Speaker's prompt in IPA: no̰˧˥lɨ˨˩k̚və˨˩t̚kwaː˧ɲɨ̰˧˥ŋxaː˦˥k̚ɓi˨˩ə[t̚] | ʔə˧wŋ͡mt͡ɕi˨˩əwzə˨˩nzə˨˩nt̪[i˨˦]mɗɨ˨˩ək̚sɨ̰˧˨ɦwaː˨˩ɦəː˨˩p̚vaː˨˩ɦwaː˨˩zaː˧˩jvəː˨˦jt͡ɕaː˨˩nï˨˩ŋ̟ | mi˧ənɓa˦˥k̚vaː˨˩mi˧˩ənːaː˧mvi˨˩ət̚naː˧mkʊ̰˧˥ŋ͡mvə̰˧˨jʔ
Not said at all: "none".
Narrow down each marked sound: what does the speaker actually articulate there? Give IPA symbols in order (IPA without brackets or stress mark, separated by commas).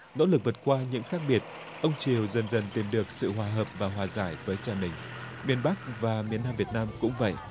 t̚, i˨˩